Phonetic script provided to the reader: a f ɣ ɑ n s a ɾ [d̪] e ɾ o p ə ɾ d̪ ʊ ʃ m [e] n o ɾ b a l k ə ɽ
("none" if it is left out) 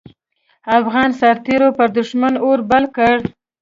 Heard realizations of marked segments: t̪, a

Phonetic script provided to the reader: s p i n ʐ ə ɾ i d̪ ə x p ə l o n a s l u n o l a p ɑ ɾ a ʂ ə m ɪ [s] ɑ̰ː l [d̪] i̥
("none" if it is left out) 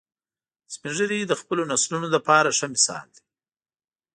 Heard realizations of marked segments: s, d̪

